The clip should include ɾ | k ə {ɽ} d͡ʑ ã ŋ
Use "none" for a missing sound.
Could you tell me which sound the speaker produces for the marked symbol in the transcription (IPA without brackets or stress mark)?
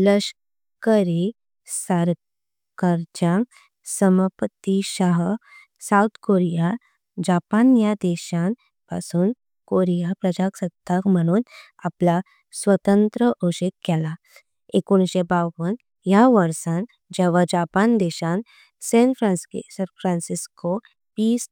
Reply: ɾ